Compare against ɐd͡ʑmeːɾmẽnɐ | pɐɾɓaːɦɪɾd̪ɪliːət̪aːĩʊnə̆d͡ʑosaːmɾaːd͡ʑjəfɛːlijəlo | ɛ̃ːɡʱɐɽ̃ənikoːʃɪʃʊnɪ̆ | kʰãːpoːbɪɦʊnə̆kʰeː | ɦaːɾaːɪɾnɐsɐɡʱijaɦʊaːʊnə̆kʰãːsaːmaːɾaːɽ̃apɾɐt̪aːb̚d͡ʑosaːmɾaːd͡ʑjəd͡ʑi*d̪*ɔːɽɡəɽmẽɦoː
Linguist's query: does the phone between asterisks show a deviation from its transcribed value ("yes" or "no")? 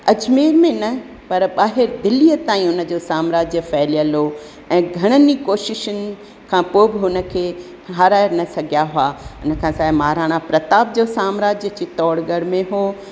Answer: yes